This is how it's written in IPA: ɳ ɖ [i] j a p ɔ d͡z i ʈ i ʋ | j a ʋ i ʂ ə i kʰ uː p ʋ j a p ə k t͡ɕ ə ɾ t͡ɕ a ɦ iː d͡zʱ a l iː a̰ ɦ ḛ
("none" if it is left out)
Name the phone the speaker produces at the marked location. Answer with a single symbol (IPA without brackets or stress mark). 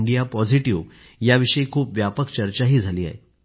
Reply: i